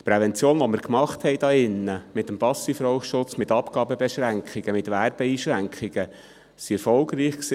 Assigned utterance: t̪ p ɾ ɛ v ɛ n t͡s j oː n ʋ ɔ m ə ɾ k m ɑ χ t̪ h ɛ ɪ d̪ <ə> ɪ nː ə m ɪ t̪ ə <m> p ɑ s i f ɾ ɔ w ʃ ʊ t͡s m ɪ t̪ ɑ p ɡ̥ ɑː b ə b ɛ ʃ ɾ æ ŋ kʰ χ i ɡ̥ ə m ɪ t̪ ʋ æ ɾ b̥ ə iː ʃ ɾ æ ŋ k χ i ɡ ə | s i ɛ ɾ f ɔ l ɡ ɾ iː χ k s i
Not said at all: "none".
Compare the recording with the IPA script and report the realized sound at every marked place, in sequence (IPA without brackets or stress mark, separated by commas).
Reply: ɑ, m